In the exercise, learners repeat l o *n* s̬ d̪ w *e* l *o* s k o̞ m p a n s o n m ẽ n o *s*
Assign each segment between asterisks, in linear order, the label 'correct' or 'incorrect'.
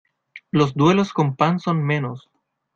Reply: incorrect: none, correct, correct, correct

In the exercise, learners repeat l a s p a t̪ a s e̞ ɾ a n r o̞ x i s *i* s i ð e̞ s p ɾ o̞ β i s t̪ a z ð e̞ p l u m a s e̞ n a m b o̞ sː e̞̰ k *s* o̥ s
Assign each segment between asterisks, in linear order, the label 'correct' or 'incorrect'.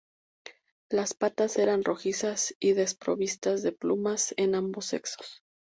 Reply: incorrect: a, correct

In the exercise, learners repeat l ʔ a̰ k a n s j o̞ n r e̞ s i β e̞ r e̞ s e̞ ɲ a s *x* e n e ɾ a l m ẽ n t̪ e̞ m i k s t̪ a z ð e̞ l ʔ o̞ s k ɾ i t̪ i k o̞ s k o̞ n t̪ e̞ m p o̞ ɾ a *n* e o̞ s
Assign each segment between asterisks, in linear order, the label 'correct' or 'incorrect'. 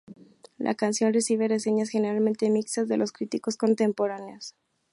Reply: correct, correct

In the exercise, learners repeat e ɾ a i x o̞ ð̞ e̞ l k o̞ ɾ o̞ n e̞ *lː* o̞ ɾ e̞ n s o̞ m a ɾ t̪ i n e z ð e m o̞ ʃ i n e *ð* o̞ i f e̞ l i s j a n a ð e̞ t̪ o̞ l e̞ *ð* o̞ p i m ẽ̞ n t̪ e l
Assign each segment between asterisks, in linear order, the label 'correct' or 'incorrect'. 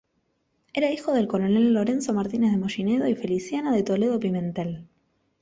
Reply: correct, correct, correct

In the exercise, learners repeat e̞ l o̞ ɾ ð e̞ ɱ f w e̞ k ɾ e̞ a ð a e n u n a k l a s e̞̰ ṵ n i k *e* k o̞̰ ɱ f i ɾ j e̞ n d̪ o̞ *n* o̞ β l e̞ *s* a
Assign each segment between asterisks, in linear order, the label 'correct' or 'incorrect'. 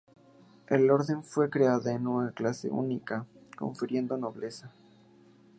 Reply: incorrect: a, correct, correct

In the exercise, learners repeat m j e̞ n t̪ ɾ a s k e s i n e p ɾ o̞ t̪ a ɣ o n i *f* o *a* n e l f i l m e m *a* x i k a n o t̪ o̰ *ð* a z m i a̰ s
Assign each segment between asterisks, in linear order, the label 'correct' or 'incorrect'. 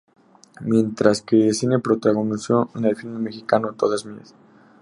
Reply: incorrect: s, incorrect: e, incorrect: e, correct

